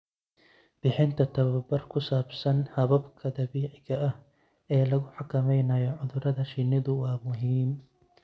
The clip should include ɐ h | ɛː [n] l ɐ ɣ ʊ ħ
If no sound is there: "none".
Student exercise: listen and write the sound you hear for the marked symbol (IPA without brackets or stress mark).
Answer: none